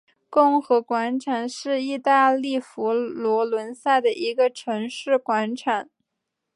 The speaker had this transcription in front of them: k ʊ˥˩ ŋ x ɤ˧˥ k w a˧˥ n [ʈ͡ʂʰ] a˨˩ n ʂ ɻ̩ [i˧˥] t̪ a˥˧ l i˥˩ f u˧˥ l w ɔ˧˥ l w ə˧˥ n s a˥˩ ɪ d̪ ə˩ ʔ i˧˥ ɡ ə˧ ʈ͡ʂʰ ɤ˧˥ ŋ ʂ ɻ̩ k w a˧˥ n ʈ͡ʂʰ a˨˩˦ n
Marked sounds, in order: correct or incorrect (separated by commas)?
correct, incorrect